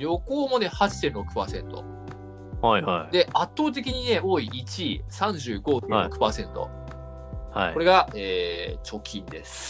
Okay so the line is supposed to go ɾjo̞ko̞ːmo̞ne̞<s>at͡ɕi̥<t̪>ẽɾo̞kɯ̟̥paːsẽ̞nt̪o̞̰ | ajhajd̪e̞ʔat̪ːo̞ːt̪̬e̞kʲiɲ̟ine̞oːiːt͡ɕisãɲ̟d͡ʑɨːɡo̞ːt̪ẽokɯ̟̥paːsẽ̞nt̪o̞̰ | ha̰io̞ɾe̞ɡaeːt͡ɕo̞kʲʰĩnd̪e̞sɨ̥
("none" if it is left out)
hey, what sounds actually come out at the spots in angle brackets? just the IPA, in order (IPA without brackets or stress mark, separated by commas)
h, t̪